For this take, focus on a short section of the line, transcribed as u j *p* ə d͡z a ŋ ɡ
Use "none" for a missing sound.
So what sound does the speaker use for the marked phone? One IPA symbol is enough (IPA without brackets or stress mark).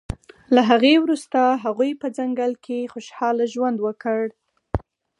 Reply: p